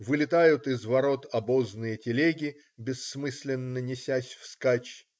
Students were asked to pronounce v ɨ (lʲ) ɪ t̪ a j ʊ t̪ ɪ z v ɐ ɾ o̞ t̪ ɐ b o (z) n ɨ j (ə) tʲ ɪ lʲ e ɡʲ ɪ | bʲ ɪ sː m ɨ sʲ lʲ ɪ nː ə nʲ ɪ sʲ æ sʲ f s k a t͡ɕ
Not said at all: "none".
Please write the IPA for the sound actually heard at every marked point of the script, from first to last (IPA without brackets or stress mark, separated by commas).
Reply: lʲ, z, ə